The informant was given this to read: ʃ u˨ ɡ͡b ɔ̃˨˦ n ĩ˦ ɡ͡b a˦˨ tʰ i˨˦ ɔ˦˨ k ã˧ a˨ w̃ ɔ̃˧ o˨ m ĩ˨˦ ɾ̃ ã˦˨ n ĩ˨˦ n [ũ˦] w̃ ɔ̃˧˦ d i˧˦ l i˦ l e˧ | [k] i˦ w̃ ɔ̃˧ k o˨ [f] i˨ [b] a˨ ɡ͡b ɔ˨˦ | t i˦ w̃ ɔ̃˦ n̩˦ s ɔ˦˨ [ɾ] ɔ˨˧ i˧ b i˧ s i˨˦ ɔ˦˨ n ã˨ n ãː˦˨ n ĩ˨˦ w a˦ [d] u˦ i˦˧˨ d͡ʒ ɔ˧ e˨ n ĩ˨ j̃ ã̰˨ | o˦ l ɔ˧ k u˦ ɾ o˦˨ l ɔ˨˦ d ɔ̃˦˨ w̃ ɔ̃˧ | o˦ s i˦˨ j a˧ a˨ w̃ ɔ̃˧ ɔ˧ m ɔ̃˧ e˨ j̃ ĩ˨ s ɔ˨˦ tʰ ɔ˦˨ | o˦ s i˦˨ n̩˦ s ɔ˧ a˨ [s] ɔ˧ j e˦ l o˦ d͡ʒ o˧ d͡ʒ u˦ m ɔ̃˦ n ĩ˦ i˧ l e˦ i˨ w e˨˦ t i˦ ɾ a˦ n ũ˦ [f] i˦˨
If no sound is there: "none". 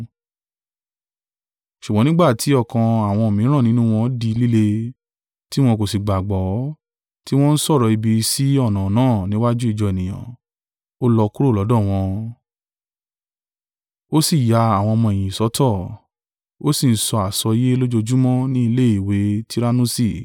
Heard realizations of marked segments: ũ˦, t, s, ɡ͡b, ɾ, d͡ʒ, s, s

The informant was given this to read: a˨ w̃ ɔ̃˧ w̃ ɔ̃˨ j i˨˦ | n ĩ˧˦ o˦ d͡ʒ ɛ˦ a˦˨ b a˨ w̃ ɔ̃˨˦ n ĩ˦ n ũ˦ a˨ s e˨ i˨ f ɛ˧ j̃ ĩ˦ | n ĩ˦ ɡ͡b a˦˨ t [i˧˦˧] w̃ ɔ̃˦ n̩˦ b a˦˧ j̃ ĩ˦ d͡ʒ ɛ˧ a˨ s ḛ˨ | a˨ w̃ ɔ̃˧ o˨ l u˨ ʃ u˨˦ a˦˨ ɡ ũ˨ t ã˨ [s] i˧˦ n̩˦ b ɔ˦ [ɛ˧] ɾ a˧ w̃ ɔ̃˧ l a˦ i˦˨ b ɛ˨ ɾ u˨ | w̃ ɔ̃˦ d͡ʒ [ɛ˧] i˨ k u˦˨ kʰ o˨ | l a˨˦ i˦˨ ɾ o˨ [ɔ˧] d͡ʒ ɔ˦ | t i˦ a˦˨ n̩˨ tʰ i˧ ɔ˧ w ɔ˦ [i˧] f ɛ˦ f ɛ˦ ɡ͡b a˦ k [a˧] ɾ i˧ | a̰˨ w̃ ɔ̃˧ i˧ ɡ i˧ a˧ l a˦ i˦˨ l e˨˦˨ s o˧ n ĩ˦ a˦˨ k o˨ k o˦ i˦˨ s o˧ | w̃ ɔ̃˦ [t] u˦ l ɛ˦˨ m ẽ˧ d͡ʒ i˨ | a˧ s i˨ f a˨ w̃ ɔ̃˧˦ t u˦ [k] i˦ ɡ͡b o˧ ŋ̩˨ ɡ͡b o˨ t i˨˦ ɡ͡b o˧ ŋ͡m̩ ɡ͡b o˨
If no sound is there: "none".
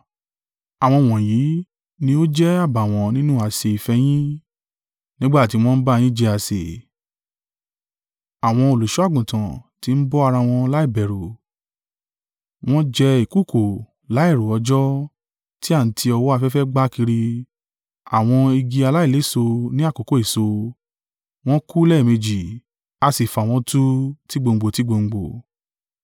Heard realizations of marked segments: i˧˦˧, t, a˧, ɛ˧, ɔ˧, a˧, i˧, k, t

